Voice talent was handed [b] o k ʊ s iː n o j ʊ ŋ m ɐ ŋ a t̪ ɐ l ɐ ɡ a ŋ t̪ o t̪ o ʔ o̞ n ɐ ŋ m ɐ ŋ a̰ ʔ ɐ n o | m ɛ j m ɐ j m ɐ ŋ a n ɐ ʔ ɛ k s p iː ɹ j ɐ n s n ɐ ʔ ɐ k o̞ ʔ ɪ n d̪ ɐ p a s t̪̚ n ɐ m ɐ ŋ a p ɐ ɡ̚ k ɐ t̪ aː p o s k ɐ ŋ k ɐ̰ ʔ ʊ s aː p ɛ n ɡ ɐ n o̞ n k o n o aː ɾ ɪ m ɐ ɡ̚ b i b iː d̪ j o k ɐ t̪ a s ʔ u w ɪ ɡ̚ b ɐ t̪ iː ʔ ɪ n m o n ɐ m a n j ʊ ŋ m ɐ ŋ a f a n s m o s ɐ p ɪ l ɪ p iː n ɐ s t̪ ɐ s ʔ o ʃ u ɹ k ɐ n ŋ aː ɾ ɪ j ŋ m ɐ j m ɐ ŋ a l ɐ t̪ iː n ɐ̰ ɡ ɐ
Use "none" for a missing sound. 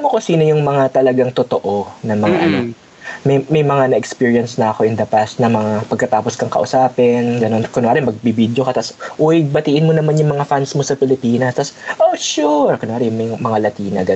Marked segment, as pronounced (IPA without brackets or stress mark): m